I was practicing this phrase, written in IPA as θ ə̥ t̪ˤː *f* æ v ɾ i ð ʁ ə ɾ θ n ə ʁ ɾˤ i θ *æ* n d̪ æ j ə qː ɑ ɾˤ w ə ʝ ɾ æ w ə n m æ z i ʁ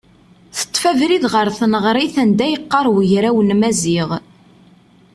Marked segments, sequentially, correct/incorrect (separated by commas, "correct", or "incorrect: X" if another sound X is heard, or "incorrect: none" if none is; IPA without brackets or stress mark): correct, correct